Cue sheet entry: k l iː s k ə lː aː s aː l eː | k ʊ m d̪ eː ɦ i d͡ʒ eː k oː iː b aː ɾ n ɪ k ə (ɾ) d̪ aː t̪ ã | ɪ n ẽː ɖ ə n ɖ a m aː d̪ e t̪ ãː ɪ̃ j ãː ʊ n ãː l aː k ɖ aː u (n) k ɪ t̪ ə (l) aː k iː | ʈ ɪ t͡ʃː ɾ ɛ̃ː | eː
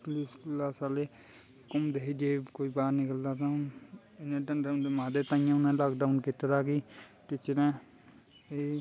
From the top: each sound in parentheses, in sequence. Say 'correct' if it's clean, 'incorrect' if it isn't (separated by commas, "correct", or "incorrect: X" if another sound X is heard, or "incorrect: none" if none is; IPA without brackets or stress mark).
incorrect: l, correct, incorrect: ɾ